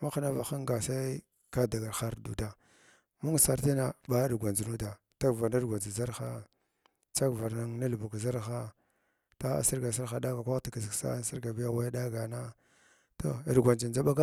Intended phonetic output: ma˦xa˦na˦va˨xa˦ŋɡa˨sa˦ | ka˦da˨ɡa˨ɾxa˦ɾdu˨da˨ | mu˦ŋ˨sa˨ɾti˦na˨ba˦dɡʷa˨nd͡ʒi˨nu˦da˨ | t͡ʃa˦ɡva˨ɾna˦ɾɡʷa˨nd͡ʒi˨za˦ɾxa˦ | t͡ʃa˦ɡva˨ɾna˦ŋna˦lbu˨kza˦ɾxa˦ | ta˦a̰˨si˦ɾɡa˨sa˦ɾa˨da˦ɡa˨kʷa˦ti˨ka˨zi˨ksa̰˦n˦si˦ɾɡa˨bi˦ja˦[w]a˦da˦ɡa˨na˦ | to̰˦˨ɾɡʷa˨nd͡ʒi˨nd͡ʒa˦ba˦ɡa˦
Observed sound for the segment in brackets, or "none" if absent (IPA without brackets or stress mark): w